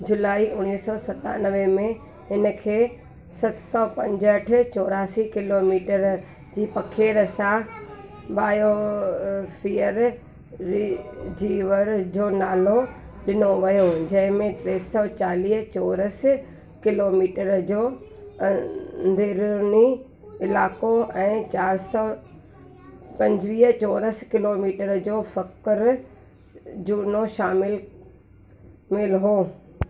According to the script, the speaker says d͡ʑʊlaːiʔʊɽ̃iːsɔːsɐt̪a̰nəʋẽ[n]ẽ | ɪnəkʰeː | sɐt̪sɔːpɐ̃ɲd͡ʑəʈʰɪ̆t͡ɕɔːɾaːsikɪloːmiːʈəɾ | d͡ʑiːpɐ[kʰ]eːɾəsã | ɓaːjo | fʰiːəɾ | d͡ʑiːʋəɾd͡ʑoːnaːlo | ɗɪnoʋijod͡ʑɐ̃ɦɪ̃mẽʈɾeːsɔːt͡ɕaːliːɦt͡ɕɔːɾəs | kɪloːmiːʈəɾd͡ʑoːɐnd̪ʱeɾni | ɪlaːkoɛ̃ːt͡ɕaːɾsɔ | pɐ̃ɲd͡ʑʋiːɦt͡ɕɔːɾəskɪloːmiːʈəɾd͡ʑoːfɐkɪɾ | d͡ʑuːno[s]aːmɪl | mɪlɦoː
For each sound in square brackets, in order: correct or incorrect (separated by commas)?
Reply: incorrect, correct, incorrect